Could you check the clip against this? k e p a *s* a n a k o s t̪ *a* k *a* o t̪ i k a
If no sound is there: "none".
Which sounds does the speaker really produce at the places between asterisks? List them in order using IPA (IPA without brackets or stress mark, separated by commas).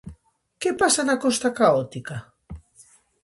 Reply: s, a, a